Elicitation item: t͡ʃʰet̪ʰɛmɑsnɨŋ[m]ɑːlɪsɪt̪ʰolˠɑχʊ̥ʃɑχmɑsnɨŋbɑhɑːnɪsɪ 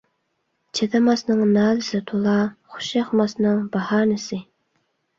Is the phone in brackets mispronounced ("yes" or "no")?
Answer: yes